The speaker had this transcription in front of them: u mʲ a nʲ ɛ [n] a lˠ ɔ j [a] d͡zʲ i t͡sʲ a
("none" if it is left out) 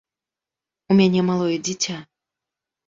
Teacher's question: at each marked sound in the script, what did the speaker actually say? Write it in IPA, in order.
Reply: m, ɛ

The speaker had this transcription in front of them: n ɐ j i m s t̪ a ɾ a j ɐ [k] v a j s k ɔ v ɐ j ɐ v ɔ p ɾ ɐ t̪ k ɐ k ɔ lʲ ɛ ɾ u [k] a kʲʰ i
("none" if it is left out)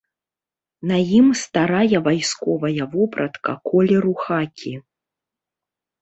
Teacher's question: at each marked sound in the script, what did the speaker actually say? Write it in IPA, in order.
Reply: none, x

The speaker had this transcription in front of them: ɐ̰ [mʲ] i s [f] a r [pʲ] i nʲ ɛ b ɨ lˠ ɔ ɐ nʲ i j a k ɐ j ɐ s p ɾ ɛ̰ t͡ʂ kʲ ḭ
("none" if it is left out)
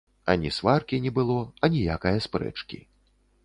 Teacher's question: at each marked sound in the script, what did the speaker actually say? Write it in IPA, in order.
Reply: nʲ, v, kʲ

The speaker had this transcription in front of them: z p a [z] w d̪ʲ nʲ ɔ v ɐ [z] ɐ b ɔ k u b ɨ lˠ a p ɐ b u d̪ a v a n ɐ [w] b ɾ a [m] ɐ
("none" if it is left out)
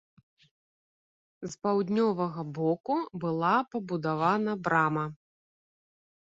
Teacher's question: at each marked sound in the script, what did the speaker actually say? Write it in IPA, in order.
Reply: none, ɣ, none, m

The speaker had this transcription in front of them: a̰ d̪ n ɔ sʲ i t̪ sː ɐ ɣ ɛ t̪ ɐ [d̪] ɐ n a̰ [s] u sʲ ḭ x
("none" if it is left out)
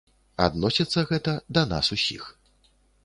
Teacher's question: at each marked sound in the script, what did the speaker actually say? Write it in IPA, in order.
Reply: d̪, s

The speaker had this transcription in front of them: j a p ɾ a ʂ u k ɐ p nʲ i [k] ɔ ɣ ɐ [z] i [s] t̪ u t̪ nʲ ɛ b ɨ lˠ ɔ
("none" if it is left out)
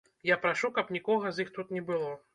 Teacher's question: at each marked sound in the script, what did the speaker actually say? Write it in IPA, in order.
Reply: k, z, x

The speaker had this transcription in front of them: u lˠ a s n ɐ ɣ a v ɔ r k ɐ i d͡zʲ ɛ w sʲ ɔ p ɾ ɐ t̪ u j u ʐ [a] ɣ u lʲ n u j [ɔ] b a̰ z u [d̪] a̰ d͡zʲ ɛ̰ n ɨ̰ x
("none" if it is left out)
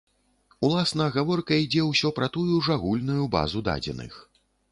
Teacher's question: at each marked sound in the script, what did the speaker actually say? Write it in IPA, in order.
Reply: a, u, d̪

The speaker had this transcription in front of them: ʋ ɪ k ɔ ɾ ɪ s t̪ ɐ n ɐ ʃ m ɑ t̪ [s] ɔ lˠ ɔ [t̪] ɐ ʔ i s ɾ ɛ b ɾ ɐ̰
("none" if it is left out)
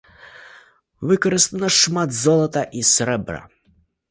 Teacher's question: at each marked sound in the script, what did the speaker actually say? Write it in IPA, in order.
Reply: z, t̪

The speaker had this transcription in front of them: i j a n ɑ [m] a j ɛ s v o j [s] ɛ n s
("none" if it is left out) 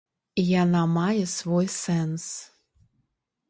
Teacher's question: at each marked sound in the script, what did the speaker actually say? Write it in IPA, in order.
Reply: m, s

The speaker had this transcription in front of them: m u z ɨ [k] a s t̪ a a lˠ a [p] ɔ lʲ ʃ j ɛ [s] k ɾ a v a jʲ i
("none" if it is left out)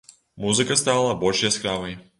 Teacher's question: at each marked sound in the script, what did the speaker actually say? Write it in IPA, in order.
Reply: k, b, s

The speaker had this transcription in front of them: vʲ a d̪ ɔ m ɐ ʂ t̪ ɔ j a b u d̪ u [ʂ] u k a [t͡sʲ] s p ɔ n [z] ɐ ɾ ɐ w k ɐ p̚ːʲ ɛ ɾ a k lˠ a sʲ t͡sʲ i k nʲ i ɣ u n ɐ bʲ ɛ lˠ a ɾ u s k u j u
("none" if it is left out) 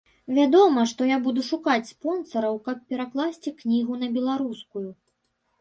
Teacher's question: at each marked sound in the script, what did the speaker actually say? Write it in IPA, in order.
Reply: ʂ, t͡sʲ, s

